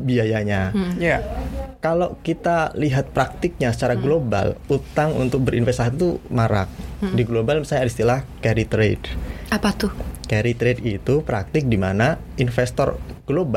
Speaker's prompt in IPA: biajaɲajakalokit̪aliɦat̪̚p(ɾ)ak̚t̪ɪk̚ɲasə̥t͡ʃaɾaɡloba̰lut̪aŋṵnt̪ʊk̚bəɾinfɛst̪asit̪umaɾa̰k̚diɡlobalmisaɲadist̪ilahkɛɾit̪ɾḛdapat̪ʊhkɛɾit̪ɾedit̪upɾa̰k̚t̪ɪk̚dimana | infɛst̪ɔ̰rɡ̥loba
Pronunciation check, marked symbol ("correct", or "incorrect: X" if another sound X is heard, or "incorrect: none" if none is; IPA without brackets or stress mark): correct